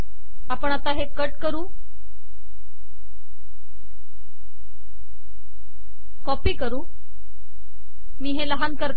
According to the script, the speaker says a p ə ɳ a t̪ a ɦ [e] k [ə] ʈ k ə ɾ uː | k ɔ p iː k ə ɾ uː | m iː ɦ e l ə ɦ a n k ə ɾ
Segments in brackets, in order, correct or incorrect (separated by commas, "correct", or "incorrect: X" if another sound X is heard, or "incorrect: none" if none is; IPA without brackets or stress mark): correct, correct